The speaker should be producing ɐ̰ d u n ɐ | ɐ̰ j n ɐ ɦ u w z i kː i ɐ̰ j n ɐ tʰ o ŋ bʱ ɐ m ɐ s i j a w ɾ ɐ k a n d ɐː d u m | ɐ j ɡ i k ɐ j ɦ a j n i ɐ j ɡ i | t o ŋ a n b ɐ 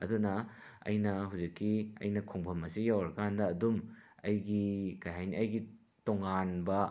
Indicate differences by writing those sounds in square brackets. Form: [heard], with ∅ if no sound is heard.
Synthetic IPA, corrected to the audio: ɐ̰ d u n ɐ | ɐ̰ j n ɐ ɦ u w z i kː i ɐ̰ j n ɐ [kʰ] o ŋ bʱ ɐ m ɐ s i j a w ɾ ɐ k a n d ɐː d u m | ɐ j ɡ i k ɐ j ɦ a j n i ɐ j ɡ i | t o ŋ a n b ɐ

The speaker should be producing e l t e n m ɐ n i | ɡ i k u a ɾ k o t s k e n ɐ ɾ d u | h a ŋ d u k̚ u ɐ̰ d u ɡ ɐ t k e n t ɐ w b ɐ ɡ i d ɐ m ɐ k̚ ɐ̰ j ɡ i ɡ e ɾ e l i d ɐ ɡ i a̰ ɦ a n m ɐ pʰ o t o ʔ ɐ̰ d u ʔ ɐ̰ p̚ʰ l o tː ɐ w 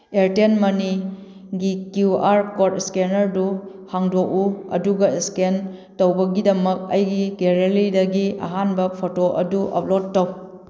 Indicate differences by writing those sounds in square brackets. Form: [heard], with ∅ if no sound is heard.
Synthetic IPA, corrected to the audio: e [ɾ] t e n m ɐ n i | ɡ i k u a ɾ k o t s k e n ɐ ɾ d u | h a ŋ d [o] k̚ u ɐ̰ d u ɡ ɐ [s] k e n t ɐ w b ɐ ɡ i d ɐ m ɐ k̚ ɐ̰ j ɡ i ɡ e ɾ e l i d ɐ ɡ i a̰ ɦ a n [b] ɐ pʰ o t o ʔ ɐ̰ d u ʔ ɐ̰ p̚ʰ l o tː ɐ w

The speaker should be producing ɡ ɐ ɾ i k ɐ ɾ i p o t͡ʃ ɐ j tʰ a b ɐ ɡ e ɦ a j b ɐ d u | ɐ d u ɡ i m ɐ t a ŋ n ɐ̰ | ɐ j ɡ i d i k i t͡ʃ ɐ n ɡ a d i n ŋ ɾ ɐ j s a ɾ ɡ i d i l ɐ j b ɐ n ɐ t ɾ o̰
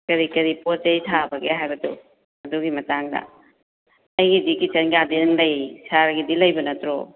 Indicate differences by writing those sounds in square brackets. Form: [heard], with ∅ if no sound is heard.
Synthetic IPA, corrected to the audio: [k] ɐ ɾ i k ɐ ɾ i p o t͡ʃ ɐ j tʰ a b ɐ ɡ e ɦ a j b ɐ d u | ɐ d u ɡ i m ɐ t a ŋ [d] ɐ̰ | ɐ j ɡ i d i k i t͡ʃ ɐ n ɡ a d i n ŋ [l] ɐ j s a ɾ ɡ i d i l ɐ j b ɐ n ɐ t ɾ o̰

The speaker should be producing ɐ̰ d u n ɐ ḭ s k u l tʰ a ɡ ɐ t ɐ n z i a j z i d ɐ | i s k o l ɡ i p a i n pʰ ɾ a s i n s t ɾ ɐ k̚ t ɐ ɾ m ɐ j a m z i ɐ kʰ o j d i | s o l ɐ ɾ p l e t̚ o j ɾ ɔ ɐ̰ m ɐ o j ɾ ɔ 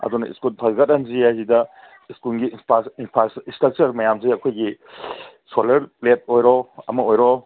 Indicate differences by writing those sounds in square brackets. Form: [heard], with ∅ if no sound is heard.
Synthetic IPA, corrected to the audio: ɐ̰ d u n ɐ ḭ s k u l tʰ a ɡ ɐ t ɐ n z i a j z i d ɐ | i s k [u] l ɡ i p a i n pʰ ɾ a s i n s t ɾ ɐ k̚ [t͡ʃ] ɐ ɾ m ɐ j a m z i ɐ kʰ o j [ɡ] i | s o l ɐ ɾ p l e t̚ o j ɾ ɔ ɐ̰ m ɐ o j ɾ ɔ

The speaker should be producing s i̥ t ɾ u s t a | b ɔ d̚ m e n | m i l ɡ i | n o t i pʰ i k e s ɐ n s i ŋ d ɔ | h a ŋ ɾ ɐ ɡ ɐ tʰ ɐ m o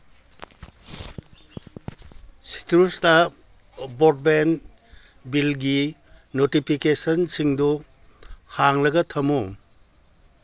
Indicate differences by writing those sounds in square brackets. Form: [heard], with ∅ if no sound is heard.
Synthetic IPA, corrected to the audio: s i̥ t ɾ u s t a | b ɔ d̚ [b] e n | [b] i l ɡ i | n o t i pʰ i k e s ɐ n s i ŋ d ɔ | h a ŋ [l] ɐ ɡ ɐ tʰ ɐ m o

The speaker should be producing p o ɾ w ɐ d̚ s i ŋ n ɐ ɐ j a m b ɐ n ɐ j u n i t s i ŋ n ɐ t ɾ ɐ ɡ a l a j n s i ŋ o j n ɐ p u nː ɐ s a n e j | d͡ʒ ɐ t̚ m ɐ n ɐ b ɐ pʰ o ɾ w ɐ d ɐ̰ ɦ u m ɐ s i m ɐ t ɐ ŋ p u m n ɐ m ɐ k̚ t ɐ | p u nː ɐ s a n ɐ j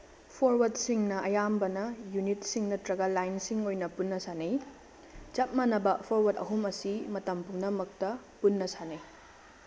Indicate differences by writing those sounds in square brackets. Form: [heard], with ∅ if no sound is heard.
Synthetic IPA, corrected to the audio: [pʰ] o ɾ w ɐ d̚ s i ŋ n ɐ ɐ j a m b ɐ n ɐ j u n i t s i ŋ n ɐ t ɾ ɐ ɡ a l a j n s i ŋ o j n ɐ p u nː ɐ s a n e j | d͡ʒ ɐ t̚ m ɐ n ɐ b ɐ pʰ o ɾ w ɐ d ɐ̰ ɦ u m ɐ s i m ɐ t ɐ [m] p u [ŋ] n ɐ m ɐ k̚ t ɐ | p u nː ɐ s a n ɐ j

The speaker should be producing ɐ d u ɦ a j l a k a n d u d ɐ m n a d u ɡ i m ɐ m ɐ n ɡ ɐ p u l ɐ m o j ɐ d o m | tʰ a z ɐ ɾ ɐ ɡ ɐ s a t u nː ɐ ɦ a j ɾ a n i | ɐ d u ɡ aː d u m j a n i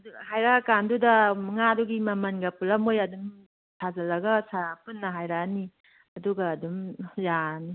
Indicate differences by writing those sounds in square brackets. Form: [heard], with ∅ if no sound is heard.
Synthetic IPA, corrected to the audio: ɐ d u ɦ a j [ɾ] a k a n d u d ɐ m [ŋ] a d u ɡ i m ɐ m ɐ n ɡ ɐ p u l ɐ m o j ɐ d [u] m | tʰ a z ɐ [l] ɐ ɡ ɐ s a [p] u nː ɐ ɦ a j ɾ a n i | ɐ d u ɡ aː d u m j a n i

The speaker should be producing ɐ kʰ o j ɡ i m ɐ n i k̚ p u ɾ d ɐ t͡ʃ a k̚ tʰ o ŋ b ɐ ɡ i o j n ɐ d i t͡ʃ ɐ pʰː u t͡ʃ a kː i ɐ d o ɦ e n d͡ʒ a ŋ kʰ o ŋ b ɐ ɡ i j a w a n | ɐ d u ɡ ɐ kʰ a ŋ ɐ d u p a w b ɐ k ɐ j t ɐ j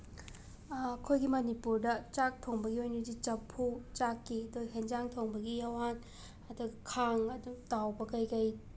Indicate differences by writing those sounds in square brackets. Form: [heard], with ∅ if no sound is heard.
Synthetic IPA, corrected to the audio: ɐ kʰ o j ɡ i m ɐ n i [∅] p u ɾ d ɐ t͡ʃ a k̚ tʰ o ŋ b ɐ ɡ i o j n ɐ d i t͡ʃ ɐ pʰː u t͡ʃ a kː i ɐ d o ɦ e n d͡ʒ a ŋ [tʰ] o ŋ b ɐ ɡ i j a w a n | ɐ d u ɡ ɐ kʰ a ŋ ɐ d u [t] a w b ɐ k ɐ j [k] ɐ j

